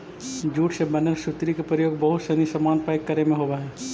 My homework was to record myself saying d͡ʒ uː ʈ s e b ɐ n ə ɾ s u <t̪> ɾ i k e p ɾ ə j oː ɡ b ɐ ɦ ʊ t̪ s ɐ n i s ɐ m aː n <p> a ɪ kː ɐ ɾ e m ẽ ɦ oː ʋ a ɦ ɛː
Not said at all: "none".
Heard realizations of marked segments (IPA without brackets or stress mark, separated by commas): t̪, p